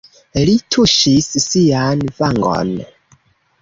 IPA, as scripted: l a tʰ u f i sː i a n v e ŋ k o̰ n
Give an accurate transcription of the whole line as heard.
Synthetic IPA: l i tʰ u ʃ i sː i a n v a ŋ ɡ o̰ n